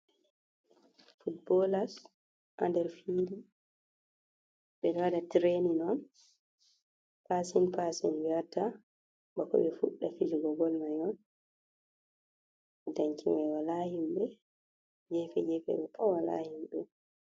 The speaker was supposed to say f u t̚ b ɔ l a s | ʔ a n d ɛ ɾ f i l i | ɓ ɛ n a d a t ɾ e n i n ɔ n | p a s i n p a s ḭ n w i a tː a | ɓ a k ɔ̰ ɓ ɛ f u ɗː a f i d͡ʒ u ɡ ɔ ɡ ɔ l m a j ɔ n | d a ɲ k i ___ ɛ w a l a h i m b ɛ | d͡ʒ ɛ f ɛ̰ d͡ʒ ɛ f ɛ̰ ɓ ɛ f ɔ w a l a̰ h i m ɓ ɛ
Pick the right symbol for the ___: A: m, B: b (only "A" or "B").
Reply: A